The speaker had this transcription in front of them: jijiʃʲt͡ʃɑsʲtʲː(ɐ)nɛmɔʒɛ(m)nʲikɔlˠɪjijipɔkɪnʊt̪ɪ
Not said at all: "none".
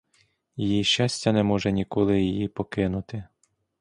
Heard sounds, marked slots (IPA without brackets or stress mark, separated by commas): ɐ, none